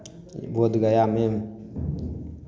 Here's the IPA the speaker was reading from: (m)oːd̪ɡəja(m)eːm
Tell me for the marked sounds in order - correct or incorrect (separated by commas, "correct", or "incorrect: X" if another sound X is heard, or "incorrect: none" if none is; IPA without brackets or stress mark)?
incorrect: b, correct